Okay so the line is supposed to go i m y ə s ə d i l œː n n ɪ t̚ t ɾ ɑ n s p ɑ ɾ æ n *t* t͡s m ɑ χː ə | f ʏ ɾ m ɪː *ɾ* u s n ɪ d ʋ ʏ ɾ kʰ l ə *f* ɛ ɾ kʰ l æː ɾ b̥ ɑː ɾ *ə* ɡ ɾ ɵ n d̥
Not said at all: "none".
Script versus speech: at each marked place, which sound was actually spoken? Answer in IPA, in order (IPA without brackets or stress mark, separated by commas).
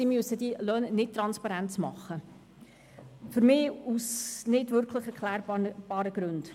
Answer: t, none, χ, ə